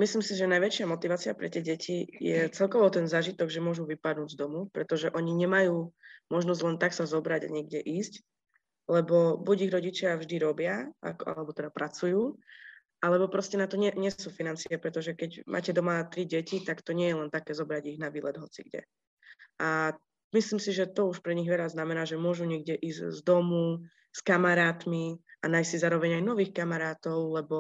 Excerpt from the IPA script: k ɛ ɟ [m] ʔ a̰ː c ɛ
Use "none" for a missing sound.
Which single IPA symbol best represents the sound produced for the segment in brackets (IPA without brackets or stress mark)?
m